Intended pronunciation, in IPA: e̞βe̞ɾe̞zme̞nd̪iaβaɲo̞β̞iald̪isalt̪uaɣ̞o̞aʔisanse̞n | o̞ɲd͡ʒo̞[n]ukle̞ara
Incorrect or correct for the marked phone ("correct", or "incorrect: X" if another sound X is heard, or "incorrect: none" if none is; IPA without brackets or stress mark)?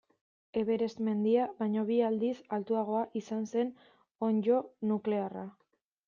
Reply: correct